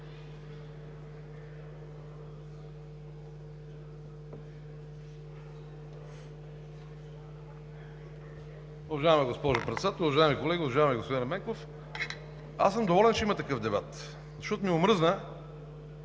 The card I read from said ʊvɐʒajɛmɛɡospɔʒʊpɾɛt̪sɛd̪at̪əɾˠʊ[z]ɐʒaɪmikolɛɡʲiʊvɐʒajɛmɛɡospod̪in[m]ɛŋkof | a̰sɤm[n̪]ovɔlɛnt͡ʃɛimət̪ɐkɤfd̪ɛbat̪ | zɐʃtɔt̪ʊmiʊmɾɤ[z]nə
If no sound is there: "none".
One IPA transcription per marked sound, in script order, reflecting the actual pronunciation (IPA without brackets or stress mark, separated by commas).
v, m, d̪, z